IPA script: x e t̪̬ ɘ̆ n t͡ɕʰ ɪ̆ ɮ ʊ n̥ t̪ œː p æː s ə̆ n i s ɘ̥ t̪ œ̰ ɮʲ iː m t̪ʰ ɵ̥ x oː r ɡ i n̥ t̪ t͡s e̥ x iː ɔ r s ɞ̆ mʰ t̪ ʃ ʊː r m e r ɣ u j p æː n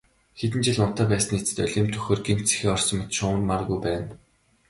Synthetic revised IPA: x e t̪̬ ɘ̆ n t͡ɕ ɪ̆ ɮ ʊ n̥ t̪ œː p æː s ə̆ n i t͡s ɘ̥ t̪ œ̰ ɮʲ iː m t̪ʰ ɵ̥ x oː r ɡ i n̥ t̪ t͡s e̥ x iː ɔ r s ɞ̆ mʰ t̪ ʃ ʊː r m a r ɣ u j p æː n